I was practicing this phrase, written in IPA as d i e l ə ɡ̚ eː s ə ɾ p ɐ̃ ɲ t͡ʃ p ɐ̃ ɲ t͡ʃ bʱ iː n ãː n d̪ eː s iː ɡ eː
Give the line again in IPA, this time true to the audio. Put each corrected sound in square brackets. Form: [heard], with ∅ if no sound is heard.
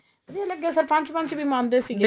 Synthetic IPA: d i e l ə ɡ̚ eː s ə ɾ p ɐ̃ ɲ t͡ʃ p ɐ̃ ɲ t͡ʃ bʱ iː [m] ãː n d̪ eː s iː ɡ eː